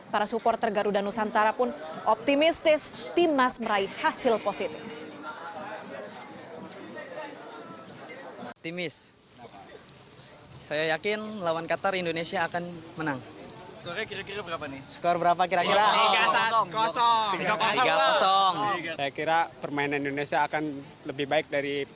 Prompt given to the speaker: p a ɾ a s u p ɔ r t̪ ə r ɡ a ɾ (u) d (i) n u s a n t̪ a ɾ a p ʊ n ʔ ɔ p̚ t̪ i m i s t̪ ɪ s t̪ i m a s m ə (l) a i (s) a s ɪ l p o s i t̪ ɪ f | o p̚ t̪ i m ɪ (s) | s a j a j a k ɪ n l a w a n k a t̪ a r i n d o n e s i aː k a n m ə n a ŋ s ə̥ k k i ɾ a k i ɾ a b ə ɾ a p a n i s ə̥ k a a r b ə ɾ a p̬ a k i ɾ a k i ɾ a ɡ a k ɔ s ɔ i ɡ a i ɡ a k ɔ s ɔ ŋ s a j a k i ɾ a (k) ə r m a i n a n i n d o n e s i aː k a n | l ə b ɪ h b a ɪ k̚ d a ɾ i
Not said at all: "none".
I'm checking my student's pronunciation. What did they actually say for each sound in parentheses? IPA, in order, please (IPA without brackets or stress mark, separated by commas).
u, a, ɾ, h, s, p